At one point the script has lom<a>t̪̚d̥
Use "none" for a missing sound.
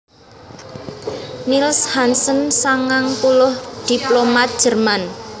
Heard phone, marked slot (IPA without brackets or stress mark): a